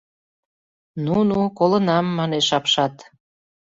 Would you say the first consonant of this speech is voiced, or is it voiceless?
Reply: voiced